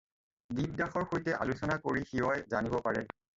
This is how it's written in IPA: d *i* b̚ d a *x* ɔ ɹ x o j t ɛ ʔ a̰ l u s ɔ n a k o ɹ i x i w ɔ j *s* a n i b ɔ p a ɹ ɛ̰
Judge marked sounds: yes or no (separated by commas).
yes, yes, no